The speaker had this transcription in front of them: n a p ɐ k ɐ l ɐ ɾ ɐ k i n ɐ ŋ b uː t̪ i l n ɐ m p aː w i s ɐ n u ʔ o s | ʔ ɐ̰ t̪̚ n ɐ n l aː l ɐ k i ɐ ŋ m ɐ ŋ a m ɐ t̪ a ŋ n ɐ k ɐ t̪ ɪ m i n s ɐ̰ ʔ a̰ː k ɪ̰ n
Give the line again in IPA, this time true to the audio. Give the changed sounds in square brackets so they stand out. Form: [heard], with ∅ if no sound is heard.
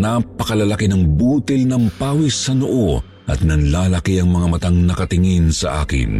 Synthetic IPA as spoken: n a p ɐ k ɐ l ɐ [l] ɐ k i n ɐ ŋ b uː t̪ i l n ɐ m p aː w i s ɐ n [o] ʔ o [∅] | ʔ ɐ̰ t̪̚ n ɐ n l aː l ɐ k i ɐ ŋ m ɐ ŋ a m ɐ t̪ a ŋ n ɐ k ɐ t̪ ɪ [ŋ] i n s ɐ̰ ʔ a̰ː k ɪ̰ n